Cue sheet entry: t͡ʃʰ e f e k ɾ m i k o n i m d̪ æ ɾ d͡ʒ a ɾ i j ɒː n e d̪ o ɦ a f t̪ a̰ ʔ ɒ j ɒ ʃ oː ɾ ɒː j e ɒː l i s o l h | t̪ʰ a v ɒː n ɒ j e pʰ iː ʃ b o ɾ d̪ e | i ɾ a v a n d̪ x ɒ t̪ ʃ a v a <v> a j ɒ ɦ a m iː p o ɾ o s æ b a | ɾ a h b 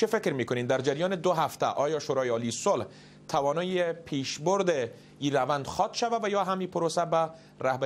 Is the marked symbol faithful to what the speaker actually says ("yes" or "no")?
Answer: yes